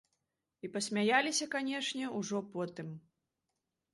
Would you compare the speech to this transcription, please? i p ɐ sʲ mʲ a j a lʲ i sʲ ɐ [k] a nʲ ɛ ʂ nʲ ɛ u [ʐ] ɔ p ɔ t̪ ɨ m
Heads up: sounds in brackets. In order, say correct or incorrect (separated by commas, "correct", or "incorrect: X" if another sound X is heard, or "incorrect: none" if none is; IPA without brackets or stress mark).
correct, correct